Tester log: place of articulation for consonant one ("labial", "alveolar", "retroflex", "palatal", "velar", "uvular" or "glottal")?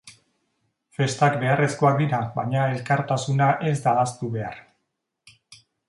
labial